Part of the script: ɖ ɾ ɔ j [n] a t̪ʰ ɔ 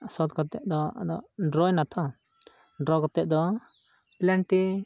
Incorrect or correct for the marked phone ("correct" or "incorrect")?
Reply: correct